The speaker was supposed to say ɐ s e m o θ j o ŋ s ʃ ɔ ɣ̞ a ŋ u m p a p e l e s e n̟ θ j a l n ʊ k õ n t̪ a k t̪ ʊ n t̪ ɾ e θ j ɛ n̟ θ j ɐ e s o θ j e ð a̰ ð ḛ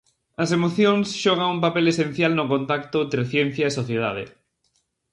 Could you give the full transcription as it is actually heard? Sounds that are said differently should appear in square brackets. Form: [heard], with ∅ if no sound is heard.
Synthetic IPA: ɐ s e m o θ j o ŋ s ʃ ɔ ɣ̞ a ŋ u m p a p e l e s e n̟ θ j a l n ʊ k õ n t̪ a k t̪ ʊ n t̪ ɾ e θ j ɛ n̟ θ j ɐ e s o θ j e ð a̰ ð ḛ